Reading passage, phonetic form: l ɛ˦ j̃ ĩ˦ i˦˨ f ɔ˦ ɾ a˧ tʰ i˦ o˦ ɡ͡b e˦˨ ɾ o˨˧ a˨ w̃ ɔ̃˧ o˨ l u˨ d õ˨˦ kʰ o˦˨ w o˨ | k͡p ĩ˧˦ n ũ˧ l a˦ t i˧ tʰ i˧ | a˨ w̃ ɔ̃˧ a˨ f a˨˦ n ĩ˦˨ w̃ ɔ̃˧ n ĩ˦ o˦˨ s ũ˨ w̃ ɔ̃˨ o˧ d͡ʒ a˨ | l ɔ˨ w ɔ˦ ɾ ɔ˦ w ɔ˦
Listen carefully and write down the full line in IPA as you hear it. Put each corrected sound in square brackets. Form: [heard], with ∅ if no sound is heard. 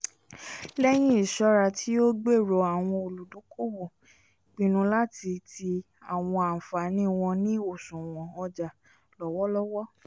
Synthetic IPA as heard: l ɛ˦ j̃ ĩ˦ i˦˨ [ʃ] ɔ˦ ɾ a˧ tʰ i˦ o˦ ɡ͡b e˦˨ ɾ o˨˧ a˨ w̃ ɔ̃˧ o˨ l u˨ d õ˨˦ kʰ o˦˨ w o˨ | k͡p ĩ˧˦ n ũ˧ l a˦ t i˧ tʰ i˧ | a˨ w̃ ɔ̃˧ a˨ f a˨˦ n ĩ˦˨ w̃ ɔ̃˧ n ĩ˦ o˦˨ s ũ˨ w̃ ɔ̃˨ [ɔ˧] d͡ʒ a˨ | l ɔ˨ w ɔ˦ [l] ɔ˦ w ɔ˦